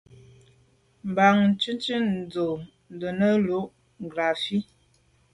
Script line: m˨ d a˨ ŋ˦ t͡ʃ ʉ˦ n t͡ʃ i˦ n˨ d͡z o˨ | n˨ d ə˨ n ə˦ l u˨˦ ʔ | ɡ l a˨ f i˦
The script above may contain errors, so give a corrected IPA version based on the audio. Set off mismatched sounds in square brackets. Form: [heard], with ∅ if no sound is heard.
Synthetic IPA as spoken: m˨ [b] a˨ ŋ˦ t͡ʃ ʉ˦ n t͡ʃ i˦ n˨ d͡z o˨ | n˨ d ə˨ n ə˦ l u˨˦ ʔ | ɡ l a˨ f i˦